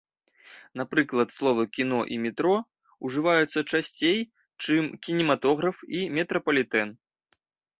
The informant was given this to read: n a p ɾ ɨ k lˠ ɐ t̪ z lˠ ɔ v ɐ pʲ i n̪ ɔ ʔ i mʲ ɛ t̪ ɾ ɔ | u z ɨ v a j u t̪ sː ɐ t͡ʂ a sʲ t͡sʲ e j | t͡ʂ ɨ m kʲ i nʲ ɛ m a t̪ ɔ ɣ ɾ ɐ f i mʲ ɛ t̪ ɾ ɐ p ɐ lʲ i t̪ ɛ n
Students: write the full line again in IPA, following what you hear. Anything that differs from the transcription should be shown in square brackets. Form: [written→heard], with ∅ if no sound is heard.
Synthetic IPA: n a p ɾ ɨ k lˠ ɐ t̪ [z→s] lˠ ɔ v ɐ [pʲ→kʲ] i n̪ ɔ ʔ i mʲ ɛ t̪ ɾ ɔ | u [z→ʐ] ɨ v a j u t̪ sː ɐ t͡ʂ a sʲ t͡sʲ e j | t͡ʂ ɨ m kʲ i nʲ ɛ m a t̪ ɔ ɣ ɾ ɐ f i mʲ ɛ t̪ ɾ ɐ p ɐ lʲ i t̪ ɛ n

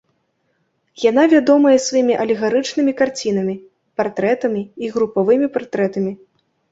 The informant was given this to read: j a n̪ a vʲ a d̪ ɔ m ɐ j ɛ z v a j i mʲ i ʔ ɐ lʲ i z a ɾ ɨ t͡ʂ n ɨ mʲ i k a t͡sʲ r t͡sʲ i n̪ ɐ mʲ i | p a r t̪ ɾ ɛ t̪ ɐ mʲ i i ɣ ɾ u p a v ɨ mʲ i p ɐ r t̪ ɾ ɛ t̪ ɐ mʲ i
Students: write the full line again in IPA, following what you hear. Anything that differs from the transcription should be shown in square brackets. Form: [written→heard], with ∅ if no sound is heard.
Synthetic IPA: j a n̪ a vʲ a d̪ ɔ m ɐ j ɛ [z→s] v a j i mʲ i ʔ ɐ lʲ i [z→ɣ] a ɾ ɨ t͡ʂ n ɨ mʲ i k a [t͡sʲ→∅] r t͡sʲ i n̪ ɐ mʲ i | p a r t̪ ɾ ɛ t̪ ɐ mʲ i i ɣ ɾ u p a v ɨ mʲ i p [ɐ→a] r t̪ ɾ ɛ t̪ ɐ mʲ i

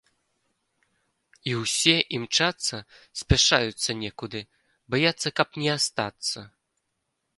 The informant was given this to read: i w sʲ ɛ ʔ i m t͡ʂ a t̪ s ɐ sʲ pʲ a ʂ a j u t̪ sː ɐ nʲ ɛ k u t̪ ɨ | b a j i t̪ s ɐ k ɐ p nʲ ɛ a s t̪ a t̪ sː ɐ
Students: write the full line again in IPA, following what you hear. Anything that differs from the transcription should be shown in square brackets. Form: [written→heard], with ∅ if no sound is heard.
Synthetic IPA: i w sʲ ɛ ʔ i m t͡ʂ a t̪ s ɐ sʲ pʲ a ʂ a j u t̪ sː ɐ nʲ ɛ k u [t̪→d̪] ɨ | b a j [i→a] t̪ [s→sː] ɐ k ɐ p nʲ ɛ a s t̪ a t̪ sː ɐ

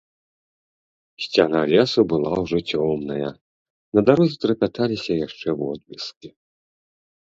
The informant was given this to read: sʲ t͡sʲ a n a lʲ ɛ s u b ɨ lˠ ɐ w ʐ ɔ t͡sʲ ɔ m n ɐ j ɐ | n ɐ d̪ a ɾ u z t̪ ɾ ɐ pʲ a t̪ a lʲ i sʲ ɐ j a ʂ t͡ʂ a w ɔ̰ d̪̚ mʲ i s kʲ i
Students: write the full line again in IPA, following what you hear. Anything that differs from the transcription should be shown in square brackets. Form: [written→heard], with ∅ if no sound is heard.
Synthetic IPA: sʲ t͡sʲ a n a lʲ ɛ s u b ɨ lˠ [ɐ→a] w ʐ ɔ t͡sʲ ɔ m n ɐ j ɐ | n ɐ d̪ a ɾ u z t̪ ɾ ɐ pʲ a t̪ a lʲ i sʲ ɐ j a ʂ t͡ʂ [a→ɛ] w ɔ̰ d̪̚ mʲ i s kʲ i

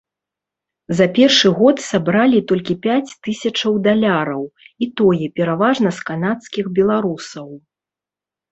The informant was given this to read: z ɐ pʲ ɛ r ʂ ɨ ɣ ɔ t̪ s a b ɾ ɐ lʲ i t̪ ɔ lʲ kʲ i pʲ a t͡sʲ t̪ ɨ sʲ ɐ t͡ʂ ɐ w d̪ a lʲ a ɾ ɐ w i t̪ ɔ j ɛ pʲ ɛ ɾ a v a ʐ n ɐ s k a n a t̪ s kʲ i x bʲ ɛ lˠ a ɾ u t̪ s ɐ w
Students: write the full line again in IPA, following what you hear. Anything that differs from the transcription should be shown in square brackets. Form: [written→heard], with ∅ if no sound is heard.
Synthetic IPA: z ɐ pʲ ɛ r ʂ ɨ ɣ ɔ t̪ s a b ɾ [ɐ→a] lʲ i t̪ ɔ lʲ kʲ i pʲ a t͡sʲ t̪ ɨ sʲ ɐ t͡ʂ ɐ w d̪ a lʲ a ɾ ɐ w i t̪ ɔ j ɛ pʲ ɛ ɾ a v a ʐ n ɐ s k a n a t̪ s kʲ i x bʲ ɛ lˠ a ɾ u [t̪→∅] s ɐ w

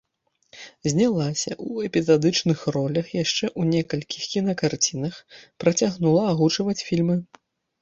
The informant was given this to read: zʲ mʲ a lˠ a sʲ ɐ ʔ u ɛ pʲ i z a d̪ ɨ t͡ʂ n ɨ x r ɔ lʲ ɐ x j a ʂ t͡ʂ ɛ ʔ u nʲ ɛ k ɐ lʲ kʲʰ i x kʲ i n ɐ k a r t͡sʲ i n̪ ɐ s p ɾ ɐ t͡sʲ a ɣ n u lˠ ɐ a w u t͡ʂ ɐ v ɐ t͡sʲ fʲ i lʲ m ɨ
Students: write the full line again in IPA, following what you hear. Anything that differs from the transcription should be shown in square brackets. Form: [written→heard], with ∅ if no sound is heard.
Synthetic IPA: zʲ [mʲ→nʲ] a lˠ a sʲ ɐ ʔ u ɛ pʲ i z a d̪ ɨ t͡ʂ n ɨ x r ɔ lʲ ɐ x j a ʂ t͡ʂ ɛ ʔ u nʲ ɛ k ɐ lʲ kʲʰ i x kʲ i n ɐ k a r t͡sʲ i n̪ ɐ [s→x] p ɾ ɐ t͡sʲ a ɣ n u lˠ ɐ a [w→ɣ] u t͡ʂ ɐ v ɐ t͡sʲ fʲ i lʲ m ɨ

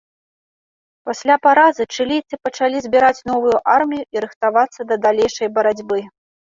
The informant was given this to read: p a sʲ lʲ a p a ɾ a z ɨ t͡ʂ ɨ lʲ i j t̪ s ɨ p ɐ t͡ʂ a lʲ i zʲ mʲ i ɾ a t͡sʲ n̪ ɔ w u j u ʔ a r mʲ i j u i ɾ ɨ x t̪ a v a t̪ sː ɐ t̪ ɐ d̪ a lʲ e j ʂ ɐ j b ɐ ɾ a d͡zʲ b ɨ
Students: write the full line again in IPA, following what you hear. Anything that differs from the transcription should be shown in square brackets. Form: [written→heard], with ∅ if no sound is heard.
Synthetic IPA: p a sʲ lʲ a p a ɾ a z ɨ t͡ʂ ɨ lʲ i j t̪ s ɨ p ɐ t͡ʂ a lʲ i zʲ [mʲ→bʲ] i ɾ a t͡sʲ n̪ ɔ [w→v] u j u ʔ a r mʲ i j u i ɾ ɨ x t̪ a v a t̪ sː ɐ [t̪→d̪] ɐ d̪ a lʲ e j ʂ ɐ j b ɐ ɾ a d͡zʲ b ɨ

